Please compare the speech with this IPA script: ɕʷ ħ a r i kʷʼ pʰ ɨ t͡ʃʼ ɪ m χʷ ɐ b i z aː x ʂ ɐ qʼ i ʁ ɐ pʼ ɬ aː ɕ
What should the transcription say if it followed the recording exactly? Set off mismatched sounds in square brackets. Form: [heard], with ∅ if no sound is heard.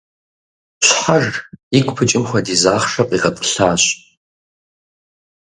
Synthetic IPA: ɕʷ ħ a r i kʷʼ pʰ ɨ t͡ʃʼ ɪ m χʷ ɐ [d] i z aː [χ] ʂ ɐ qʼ i ʁ ɐ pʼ ɬ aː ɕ